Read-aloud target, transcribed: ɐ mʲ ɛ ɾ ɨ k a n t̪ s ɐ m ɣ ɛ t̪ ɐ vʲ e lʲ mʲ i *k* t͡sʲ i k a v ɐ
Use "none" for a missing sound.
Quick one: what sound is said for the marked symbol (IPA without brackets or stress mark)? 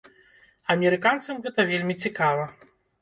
none